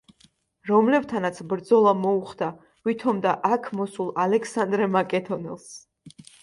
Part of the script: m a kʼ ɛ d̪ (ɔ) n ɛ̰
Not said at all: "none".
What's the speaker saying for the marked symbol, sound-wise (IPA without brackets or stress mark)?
ɔ